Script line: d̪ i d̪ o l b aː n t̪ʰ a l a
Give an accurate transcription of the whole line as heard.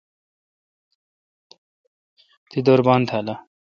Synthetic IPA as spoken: t̪ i d̪ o ɾ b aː n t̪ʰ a l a